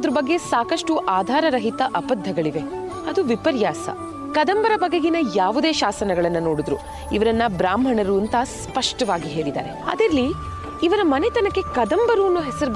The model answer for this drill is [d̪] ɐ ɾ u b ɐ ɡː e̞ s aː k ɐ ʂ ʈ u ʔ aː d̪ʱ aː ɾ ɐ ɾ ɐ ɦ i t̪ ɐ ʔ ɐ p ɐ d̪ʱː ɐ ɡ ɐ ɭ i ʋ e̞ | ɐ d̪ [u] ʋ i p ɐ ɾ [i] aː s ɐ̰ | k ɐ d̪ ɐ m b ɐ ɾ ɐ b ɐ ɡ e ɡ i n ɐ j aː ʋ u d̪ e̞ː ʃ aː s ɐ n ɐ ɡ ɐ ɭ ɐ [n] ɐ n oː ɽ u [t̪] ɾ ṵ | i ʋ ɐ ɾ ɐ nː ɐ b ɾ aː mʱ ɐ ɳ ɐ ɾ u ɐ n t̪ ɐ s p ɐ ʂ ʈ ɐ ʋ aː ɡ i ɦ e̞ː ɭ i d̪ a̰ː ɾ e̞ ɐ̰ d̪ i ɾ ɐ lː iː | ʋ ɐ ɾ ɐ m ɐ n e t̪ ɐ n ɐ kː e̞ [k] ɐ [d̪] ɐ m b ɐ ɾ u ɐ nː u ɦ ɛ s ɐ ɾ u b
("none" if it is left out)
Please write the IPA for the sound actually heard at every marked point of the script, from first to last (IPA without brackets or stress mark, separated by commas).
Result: d̪, u, j, nː, d̪, k, d̪